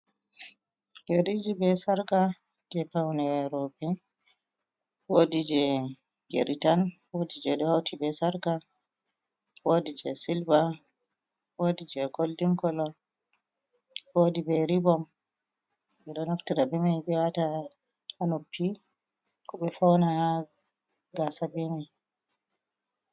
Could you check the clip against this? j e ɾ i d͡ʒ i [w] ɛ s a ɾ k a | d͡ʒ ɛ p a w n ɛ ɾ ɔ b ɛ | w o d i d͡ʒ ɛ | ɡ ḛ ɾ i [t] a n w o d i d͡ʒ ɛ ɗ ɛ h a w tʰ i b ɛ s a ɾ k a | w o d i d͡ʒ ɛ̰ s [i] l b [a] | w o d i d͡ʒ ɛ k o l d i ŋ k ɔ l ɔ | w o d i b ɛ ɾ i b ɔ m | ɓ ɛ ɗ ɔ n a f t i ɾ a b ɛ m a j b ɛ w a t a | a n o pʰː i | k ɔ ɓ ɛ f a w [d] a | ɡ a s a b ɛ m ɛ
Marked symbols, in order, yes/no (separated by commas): no, yes, yes, yes, no